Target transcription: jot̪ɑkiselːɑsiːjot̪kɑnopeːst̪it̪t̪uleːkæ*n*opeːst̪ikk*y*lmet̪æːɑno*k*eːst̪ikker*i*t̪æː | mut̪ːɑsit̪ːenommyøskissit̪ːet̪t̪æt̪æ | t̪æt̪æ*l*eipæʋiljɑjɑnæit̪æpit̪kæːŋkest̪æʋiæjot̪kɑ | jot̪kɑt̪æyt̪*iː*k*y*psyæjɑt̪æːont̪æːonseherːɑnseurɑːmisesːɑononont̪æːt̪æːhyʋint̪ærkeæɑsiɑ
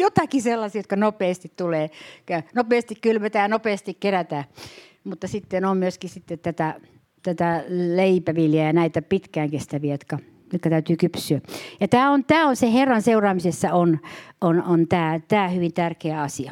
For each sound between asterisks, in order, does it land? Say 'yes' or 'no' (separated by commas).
yes, yes, no, no, yes, no, yes